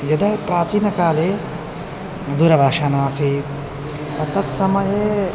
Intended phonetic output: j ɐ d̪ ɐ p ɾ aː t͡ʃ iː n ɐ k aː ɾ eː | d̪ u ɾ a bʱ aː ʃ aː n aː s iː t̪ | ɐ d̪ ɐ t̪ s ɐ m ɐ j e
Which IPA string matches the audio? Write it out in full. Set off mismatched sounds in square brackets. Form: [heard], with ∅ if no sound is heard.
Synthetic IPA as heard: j ɐ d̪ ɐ p ɾ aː t͡ʃ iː n ɐ k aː [l] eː | d̪ u ɾ [ɐ] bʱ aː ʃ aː n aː s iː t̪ | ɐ [t̪] ɐ t̪ s ɐ m ɐ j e